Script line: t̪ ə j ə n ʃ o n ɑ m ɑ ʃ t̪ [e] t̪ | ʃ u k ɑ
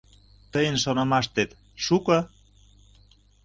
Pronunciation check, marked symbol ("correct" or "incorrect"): correct